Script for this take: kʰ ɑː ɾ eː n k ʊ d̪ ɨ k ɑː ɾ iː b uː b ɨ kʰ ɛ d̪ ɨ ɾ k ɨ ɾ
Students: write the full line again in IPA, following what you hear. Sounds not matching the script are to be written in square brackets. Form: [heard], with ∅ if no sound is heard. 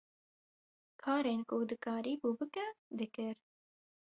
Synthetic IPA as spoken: kʰ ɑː ɾ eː n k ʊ d̪ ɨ k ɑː ɾ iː b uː b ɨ [k] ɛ d̪ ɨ [∅] k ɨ ɾ